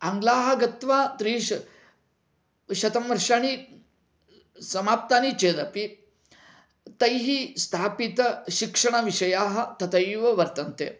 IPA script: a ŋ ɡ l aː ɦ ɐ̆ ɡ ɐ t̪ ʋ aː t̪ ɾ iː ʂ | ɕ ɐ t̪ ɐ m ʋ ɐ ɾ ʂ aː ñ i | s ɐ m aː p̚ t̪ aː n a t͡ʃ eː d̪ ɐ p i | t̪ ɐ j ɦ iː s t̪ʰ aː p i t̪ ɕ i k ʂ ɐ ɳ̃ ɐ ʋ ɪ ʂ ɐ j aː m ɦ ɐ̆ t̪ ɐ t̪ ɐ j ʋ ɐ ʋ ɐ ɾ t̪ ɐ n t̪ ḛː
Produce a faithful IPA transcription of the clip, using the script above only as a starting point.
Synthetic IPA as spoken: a ŋ ɡ l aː ɦ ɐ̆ ɡ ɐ t̪ ʋ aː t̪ ɾ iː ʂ | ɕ ɐ t̪ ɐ m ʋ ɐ ɾ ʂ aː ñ i | s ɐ m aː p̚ t̪ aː n i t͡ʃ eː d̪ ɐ p i | t̪ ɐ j ɦ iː s t̪ʰ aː p i t̪ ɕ i k ʂ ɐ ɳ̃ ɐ ʋ i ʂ ɐ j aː ɦ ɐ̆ t̪ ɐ t̪ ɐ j ʋ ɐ ʋ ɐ ɾ t̪ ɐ n t̪ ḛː